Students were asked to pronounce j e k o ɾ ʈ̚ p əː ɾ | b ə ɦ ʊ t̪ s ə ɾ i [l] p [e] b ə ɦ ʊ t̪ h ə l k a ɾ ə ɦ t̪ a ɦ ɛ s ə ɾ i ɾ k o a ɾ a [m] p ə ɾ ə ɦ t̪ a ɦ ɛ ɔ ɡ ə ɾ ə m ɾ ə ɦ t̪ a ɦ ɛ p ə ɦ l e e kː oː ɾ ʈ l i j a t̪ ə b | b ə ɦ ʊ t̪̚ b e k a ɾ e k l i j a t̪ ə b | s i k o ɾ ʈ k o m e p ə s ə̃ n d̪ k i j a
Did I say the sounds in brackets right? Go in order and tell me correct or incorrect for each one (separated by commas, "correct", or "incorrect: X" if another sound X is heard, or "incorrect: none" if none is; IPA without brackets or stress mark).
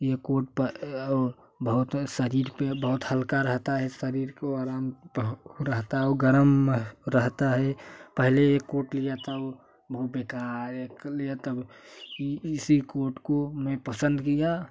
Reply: incorrect: ɾ, correct, correct